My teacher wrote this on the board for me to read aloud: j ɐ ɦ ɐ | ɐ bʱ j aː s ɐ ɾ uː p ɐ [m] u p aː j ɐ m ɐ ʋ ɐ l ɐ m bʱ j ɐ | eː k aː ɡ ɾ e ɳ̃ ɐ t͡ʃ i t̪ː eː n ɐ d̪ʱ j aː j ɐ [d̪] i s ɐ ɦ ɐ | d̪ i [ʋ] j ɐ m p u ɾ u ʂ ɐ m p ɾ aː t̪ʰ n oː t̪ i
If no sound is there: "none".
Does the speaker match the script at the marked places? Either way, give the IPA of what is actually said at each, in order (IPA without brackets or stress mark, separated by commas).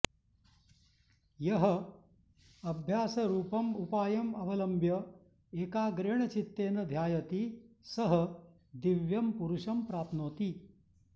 m, t̪, ʋ